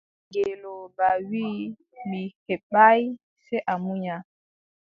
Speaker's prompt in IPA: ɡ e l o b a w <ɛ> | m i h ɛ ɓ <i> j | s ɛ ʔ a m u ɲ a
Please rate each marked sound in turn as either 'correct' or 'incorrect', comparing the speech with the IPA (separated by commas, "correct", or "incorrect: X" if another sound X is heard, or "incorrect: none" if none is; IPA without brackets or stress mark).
incorrect: i, incorrect: a